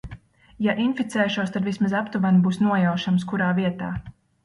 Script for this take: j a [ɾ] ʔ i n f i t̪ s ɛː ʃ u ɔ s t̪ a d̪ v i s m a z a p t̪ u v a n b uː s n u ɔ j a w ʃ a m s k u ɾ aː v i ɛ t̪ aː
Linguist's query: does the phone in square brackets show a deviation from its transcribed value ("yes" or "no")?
yes